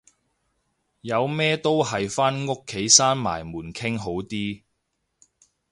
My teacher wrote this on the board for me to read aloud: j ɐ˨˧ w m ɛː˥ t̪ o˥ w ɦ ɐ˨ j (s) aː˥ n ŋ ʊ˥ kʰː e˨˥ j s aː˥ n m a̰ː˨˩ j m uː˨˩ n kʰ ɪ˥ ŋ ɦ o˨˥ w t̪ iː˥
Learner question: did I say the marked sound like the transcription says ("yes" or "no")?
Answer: no